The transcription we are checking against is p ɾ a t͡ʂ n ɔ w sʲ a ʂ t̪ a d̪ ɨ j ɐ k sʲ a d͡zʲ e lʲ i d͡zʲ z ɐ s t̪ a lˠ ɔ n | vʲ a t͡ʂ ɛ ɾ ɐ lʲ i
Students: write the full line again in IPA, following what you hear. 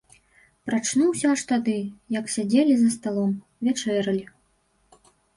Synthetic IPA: p ɾ a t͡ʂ n u w sʲ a ʂ t̪ a d̪ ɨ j ɐ k sʲ a d͡zʲ e lʲ i z ɐ s t̪ a lˠ ɔ m | vʲ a t͡ʂ ɛ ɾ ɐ lʲ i